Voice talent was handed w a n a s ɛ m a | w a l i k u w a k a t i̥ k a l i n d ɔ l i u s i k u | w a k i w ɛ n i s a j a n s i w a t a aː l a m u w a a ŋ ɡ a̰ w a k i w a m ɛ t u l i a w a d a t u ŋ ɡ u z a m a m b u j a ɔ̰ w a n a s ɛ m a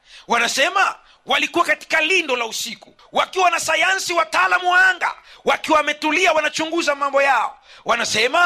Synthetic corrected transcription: w a n a s ɛ m a | w a l i k u w a k a t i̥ k a l i n d ɔ l a u s i k u | w a k i w a n a s a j a n s i w a t a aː l a m u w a a ŋ ɡ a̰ w a k i w a m ɛ t u l i a w a n a t͡ʃ u ŋ ɡ u z a m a m b ɔ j a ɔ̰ w a n a s ɛ m a